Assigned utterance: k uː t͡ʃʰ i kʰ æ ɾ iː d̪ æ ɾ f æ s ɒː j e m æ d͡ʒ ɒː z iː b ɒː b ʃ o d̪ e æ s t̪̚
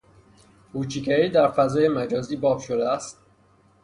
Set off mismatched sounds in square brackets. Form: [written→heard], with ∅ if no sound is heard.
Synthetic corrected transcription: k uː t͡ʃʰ i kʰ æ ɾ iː d̪ æ ɾ f æ [s→z] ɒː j e m æ d͡ʒ ɒː z iː b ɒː b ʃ o d̪ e æ s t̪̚